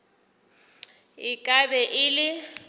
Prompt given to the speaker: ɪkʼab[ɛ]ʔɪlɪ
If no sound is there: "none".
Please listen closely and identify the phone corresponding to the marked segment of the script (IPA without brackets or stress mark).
ɛ